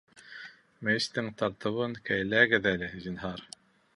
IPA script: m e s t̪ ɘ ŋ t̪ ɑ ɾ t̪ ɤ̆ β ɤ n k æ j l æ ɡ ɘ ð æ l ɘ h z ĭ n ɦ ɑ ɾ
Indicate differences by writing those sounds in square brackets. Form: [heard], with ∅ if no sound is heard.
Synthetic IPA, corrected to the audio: m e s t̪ ɘ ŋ t̪ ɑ ɾ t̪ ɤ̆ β ɤ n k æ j l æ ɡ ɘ ð æ l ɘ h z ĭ n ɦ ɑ ɾ